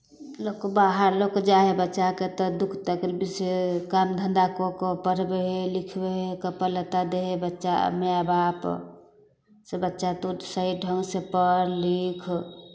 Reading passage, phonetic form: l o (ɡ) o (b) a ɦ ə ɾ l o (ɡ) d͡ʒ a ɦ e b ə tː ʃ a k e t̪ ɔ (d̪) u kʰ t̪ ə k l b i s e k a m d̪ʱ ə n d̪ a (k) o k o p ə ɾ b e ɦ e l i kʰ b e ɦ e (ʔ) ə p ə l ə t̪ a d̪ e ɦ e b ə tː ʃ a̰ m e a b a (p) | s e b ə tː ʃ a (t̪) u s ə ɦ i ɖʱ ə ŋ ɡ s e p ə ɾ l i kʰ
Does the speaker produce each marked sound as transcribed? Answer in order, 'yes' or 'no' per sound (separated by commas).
no, yes, no, yes, yes, no, yes, yes